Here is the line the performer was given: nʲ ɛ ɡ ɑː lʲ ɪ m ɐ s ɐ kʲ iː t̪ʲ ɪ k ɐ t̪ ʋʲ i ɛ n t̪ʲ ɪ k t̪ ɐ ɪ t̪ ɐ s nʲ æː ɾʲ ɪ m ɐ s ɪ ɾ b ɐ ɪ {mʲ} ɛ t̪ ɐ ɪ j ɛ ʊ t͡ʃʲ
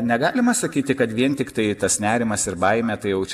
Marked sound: correct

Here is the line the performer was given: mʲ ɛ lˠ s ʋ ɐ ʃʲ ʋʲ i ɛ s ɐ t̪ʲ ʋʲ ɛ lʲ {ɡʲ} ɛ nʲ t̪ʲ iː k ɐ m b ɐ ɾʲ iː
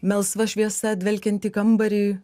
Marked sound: incorrect: kʲ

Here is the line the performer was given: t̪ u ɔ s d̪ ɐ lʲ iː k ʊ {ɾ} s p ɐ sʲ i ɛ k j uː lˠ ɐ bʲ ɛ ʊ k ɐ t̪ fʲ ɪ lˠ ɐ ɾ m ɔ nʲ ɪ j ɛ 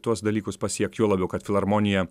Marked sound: incorrect: none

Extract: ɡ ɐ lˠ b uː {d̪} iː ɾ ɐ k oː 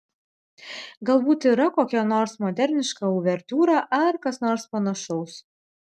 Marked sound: incorrect: t̪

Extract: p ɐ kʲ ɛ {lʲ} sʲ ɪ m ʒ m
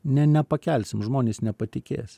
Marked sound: correct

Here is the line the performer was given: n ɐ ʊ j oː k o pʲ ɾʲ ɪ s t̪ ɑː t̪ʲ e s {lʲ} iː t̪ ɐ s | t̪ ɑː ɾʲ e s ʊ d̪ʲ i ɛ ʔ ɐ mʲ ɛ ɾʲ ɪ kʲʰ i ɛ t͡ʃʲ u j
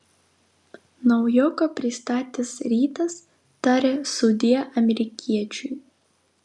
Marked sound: incorrect: ɾʲ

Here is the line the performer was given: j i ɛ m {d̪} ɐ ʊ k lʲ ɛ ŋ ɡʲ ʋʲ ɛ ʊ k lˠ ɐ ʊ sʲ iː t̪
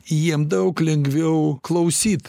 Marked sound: correct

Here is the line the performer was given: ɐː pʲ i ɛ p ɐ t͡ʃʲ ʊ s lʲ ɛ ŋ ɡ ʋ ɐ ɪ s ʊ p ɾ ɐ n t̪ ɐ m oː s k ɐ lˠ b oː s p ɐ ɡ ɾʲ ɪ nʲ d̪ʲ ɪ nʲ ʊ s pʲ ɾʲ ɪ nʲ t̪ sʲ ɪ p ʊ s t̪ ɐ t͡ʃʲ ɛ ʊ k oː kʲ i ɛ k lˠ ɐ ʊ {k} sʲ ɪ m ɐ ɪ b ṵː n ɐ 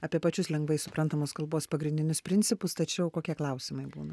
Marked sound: incorrect: none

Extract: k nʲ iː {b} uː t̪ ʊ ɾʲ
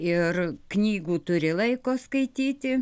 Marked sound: incorrect: ɡ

